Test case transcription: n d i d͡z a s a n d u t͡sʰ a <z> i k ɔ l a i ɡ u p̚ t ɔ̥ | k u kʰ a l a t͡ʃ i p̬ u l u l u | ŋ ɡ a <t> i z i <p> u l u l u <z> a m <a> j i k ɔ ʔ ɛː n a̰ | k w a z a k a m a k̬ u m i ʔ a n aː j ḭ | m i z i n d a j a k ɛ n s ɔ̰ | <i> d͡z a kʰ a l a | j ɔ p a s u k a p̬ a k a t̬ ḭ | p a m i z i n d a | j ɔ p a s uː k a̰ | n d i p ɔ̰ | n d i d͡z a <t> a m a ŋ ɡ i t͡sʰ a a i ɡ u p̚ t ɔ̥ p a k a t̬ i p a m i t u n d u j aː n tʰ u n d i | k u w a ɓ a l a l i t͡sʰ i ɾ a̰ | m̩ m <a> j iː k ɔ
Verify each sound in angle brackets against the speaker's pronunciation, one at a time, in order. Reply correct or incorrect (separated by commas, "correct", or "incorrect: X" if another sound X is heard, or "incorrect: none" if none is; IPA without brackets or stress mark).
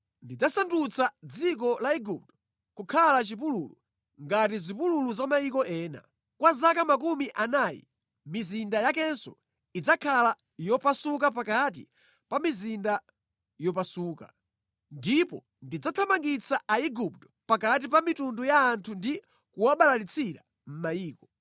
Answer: incorrect: d͡z, correct, correct, correct, correct, correct, incorrect: tʰ, correct